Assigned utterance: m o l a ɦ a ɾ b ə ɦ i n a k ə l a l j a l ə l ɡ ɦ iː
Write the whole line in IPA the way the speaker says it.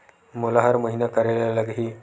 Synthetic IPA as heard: m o l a ɦ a ɾ m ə ɦ i n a k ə ɾ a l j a l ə ɡ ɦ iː